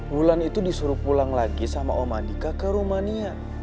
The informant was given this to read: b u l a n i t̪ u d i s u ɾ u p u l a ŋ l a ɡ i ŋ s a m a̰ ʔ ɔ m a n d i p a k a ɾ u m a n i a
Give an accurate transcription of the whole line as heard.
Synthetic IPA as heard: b u l a n i t̪ u d i s u ɾ u p u l a ŋ l a ɡ i s a m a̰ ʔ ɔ m a n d i k a k ə ɾ u m a n i a